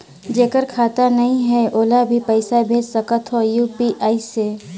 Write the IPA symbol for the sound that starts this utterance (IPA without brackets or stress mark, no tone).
d͡ʒ